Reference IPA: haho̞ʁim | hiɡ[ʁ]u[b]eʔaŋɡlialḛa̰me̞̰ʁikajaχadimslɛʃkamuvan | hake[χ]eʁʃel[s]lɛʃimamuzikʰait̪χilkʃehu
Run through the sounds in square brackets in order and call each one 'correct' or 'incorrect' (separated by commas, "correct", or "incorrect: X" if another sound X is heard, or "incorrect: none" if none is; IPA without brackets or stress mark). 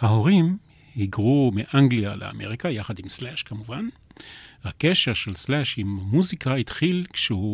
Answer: correct, incorrect: m, incorrect: ʃ, correct